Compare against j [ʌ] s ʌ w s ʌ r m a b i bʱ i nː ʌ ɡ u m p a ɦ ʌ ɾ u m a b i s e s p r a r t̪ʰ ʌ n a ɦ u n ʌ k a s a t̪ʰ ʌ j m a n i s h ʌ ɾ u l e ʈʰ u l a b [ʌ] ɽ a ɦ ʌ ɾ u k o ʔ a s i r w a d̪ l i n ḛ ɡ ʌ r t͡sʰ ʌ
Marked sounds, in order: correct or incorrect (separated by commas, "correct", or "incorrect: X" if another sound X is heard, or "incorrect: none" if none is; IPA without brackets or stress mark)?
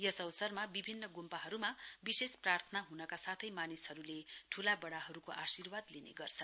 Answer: correct, correct